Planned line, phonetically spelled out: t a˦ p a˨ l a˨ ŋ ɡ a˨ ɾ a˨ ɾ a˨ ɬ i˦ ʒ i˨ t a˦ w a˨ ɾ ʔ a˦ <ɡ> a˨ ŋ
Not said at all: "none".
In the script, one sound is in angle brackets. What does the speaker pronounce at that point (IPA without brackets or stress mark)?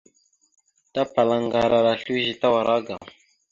ɡ